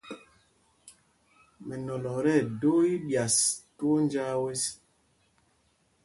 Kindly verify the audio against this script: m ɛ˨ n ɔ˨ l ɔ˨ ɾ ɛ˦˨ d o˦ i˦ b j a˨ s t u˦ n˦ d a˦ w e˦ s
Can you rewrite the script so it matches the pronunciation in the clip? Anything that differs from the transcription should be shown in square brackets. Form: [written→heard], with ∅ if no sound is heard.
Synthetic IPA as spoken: m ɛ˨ n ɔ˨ l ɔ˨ ɾ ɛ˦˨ d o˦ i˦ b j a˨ s t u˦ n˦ [d→d͡ʒ] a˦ w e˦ s